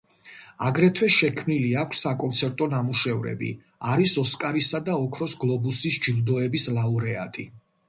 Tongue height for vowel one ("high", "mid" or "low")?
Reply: low